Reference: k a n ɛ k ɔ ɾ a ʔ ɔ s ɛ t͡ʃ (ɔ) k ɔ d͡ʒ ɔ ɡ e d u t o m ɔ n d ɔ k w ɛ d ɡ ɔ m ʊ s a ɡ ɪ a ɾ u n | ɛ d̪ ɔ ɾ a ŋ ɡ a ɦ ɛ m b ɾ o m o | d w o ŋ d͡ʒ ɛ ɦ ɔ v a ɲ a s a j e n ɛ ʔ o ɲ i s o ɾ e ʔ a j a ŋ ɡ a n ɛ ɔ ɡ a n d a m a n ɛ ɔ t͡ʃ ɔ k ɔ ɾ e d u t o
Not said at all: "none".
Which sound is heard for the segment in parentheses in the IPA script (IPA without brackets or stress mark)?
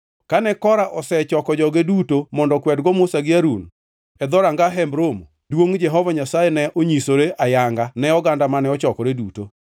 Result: ɔ